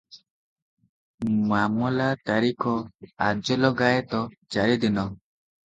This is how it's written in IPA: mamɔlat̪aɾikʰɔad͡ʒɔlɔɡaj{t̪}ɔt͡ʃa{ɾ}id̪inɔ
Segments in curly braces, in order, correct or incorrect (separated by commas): correct, correct